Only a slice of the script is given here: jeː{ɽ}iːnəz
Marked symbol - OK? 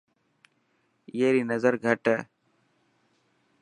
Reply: no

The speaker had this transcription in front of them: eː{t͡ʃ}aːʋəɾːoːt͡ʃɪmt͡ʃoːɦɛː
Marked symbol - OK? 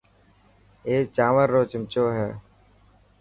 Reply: yes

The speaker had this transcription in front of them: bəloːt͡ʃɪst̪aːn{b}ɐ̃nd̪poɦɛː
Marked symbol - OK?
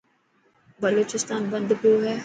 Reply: yes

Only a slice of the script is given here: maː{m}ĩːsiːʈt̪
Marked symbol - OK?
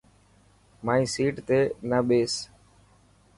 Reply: no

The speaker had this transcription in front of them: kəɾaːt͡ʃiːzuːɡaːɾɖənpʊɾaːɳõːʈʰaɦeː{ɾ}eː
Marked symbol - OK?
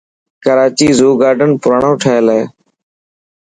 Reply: no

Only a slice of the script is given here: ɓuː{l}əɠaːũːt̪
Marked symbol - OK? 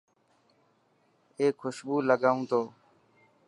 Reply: yes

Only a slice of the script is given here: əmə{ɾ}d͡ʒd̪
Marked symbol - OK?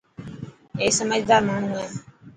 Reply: no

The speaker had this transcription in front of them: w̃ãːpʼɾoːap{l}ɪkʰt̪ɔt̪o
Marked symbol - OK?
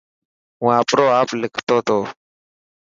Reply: yes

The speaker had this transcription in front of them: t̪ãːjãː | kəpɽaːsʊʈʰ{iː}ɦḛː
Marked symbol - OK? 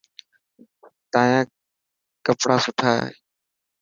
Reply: no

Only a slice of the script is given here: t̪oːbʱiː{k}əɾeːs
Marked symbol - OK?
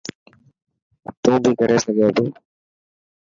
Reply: yes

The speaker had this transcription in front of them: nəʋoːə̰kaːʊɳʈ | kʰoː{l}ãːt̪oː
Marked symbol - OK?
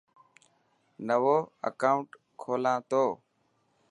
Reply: yes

